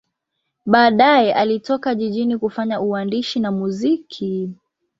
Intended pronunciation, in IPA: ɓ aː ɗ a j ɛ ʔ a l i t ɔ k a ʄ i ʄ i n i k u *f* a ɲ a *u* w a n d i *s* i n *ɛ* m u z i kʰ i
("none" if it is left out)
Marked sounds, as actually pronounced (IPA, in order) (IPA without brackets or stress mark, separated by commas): f, u, ʃ, a